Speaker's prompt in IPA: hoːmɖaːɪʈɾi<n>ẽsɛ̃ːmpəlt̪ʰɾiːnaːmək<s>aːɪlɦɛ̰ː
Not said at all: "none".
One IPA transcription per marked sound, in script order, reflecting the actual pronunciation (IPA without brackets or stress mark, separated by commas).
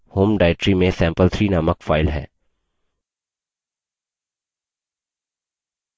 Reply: m, f